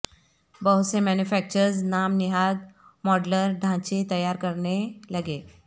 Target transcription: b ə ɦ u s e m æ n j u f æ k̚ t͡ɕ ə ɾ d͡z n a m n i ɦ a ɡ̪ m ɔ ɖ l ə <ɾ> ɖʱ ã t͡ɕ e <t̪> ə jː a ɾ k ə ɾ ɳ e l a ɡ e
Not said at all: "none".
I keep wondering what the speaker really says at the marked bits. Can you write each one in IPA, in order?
ɾ, t̪

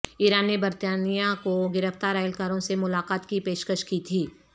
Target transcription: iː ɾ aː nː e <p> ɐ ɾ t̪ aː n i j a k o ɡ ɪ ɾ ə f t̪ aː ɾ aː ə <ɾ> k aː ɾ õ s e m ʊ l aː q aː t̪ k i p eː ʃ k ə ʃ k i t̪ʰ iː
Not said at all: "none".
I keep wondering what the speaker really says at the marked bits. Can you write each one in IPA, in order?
b, l

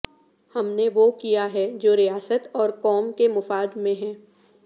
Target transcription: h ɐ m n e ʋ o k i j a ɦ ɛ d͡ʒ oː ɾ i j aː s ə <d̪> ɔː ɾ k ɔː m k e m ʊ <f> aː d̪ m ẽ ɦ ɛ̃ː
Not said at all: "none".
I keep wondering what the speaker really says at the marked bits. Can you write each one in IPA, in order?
t̪, f

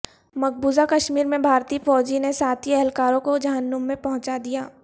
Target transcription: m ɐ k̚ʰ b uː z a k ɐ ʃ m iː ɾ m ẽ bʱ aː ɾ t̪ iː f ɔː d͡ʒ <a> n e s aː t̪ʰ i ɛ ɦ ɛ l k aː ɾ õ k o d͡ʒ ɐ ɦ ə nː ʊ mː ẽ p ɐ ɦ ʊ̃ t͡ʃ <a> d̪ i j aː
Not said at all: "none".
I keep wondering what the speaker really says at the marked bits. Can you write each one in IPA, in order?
i, a

